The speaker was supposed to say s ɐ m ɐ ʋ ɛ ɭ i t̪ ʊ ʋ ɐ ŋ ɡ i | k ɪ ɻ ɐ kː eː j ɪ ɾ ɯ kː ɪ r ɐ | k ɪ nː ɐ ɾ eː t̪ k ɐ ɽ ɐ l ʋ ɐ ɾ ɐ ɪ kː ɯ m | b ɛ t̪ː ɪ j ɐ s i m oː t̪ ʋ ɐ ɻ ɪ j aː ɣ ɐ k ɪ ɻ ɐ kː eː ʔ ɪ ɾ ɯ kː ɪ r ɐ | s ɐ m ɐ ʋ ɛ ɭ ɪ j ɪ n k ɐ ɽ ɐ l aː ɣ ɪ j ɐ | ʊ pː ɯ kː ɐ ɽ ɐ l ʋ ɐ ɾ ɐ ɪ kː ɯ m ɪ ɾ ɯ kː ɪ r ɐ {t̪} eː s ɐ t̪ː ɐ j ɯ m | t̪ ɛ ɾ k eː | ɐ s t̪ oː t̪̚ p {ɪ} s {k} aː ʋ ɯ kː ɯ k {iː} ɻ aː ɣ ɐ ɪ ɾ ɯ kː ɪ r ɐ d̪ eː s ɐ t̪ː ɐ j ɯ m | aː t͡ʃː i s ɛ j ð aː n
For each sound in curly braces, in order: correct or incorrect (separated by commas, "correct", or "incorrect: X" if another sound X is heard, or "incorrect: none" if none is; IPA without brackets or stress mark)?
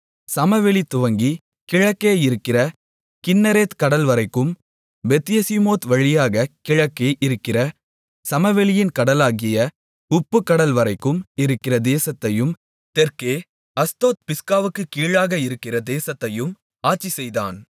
incorrect: d̪, correct, correct, correct